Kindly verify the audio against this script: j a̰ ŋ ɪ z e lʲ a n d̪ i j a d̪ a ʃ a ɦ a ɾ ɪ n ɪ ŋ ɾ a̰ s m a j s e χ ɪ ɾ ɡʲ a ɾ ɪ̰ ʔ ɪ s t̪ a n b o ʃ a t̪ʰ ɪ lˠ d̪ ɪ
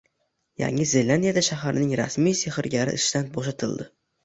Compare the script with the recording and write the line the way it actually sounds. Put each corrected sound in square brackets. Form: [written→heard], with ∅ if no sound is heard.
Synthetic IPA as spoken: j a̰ ŋ ɪ z e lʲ a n d̪ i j a d̪ a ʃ a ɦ a ɾ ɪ n ɪ ŋ ɾ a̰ s m [a→i] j s e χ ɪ ɾ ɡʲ a ɾ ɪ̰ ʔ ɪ [s→ʃ] t̪ a n b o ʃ a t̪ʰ ɪ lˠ d̪ ɪ